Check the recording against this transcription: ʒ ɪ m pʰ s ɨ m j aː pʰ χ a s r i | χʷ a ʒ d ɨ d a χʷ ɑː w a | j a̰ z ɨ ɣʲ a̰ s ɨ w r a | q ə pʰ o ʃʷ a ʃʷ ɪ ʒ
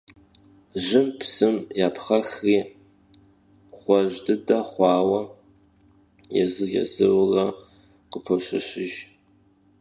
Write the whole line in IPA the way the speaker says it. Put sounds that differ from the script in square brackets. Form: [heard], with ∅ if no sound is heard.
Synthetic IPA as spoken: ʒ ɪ m pʰ s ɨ m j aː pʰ χ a [x] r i | χʷ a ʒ d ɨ d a χʷ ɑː w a | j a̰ z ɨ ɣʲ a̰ [z] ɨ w r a | q ə pʰ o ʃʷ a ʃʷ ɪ ʒ